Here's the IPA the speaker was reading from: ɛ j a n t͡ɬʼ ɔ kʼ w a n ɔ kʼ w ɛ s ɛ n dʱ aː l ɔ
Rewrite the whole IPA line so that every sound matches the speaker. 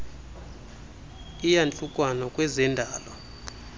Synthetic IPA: i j a n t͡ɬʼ u kʼ w a n ɔ kʼ w ɛ z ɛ n dʱ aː l ɔ